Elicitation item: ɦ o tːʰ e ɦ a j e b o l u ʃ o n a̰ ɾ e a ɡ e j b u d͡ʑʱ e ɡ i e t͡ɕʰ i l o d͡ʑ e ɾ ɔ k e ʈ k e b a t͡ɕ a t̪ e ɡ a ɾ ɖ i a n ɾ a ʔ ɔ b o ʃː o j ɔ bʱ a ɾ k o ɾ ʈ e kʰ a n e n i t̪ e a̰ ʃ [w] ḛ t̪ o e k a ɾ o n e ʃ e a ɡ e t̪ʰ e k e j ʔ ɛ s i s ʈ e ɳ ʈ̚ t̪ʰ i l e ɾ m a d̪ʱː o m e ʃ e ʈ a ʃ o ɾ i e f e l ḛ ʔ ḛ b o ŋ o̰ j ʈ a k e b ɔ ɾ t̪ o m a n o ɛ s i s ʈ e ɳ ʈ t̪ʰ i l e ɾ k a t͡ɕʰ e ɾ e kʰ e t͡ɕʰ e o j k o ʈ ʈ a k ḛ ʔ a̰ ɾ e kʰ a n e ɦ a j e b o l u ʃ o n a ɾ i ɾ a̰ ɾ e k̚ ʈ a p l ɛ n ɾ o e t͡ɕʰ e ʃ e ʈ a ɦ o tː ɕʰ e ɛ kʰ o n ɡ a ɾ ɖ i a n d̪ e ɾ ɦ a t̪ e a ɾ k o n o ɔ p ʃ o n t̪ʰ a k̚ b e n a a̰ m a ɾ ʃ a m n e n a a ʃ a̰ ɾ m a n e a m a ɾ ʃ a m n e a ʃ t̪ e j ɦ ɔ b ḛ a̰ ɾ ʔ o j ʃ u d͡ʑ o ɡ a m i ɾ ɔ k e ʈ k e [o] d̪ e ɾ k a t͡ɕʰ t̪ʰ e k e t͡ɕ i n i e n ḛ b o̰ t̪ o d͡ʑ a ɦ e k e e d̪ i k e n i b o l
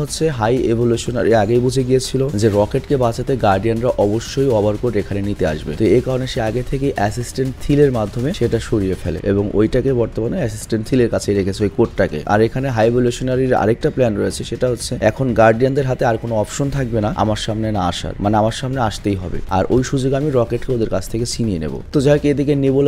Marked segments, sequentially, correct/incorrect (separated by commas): incorrect, correct